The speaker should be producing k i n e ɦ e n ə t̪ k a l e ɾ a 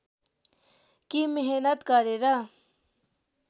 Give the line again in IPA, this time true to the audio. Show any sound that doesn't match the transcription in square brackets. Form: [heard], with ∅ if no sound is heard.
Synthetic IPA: k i [m] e ɦ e n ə t̪ k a [ɾ] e ɾ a